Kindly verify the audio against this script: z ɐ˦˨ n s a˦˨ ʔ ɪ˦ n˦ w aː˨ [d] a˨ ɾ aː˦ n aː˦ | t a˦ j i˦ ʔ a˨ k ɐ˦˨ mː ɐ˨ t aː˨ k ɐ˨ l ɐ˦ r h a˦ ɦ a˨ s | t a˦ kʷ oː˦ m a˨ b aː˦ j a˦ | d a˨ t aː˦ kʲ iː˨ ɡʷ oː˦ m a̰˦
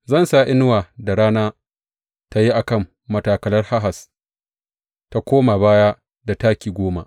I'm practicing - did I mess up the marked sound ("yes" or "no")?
no